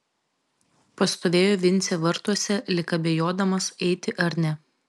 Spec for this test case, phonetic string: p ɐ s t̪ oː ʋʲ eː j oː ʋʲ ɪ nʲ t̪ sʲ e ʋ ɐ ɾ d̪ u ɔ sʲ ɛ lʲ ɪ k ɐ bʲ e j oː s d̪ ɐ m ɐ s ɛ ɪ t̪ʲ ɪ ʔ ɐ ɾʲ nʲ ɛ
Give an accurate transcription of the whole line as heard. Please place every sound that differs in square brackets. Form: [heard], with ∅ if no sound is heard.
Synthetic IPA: p ɐ s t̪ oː ʋʲ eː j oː ʋʲ ɪ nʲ t̪ sʲ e ʋ ɐ ɾ [t̪] u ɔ sʲ ɛ lʲ ɪ k ɐ bʲ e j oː [∅] d̪ ɐ m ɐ s ɛ ɪ t̪ʲ ɪ ʔ ɐ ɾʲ nʲ ɛ